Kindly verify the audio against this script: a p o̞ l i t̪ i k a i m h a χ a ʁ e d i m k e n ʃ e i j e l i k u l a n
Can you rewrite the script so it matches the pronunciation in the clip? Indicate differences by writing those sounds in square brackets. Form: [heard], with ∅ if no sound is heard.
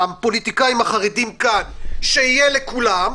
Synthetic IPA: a p o̞ l i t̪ i k a i m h a χ a ʁ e d i m k [a] n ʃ e i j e l [e] k u l a [m]